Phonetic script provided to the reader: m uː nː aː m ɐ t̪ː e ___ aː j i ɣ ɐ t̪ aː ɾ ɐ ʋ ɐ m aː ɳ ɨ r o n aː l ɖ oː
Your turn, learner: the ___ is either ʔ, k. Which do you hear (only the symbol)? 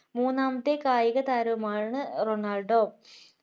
k